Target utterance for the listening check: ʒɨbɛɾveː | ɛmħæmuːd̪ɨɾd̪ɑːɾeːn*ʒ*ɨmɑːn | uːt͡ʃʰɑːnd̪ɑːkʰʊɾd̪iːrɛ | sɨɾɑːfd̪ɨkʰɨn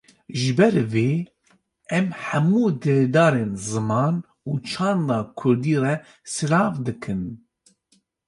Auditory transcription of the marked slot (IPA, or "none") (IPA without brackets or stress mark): z